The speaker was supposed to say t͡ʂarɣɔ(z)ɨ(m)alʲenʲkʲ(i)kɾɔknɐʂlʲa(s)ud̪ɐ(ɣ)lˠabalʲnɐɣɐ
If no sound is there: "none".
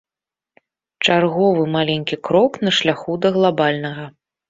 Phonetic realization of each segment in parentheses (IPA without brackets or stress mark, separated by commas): v, m, i, x, ɣ